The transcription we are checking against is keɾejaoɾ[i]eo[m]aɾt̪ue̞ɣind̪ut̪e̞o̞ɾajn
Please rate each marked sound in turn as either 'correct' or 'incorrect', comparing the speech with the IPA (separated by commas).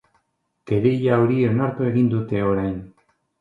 correct, incorrect